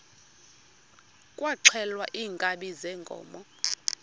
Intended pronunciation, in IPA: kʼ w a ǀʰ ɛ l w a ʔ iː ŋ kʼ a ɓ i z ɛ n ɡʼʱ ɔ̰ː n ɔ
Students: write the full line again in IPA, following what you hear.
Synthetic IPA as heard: kʼ w a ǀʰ ɛ l w a ʔ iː ŋ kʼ a ɓ i z ɛ ŋ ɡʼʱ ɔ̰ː m ɔ